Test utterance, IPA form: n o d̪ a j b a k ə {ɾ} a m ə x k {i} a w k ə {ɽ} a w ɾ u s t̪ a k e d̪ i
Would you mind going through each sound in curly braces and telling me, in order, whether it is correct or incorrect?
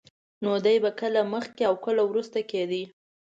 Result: incorrect, incorrect, incorrect

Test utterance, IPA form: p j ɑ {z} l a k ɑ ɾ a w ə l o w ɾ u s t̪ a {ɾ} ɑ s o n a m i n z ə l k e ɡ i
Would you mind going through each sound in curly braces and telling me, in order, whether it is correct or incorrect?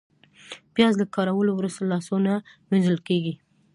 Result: correct, incorrect

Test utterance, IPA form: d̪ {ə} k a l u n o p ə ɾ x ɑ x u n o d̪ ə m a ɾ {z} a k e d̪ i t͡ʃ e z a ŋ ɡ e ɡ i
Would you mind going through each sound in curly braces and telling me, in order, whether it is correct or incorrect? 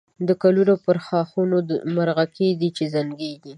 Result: correct, incorrect

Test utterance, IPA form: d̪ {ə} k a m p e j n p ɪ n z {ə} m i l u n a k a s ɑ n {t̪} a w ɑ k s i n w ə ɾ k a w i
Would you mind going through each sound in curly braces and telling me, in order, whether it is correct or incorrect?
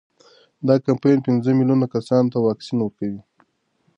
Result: incorrect, correct, correct

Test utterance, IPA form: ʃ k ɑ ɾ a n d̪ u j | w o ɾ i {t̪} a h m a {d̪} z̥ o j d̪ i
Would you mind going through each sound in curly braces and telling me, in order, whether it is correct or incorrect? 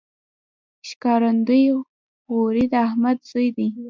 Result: incorrect, correct

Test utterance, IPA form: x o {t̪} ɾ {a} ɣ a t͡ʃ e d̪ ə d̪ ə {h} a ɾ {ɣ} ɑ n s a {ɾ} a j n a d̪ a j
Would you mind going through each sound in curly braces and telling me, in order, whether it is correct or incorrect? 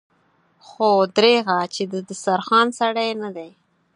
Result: incorrect, incorrect, incorrect, incorrect, incorrect

